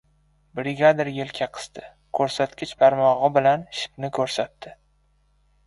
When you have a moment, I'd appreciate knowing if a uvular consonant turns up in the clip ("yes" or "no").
yes